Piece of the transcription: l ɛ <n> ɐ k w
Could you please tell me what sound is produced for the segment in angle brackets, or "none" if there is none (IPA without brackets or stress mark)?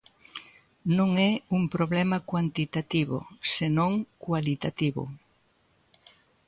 m